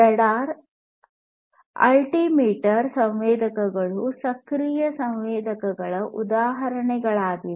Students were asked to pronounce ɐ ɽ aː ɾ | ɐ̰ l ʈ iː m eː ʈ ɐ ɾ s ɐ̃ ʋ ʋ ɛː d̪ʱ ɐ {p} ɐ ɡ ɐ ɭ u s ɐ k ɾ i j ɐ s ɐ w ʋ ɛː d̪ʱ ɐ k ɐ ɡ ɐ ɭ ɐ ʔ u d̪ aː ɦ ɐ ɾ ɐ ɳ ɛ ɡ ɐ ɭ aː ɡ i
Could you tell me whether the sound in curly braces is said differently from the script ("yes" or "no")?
yes